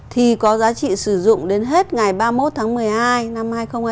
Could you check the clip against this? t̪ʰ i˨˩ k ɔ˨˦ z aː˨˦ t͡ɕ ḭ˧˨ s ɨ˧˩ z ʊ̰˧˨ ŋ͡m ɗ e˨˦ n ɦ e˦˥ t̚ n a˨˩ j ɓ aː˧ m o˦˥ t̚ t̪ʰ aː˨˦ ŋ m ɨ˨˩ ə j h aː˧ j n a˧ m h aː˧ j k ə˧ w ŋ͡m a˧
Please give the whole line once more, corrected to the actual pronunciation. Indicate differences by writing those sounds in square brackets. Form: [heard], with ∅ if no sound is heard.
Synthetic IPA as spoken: t̪ʰ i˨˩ k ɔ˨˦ z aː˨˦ t͡ɕ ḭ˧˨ s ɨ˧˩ z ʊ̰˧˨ ŋ͡m ɗ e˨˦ n ɦ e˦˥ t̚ [ŋ] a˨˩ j ɓ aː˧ m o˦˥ t̚ t̪ʰ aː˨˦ ŋ m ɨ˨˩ ə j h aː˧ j n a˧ m h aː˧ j [x] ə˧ w ŋ͡m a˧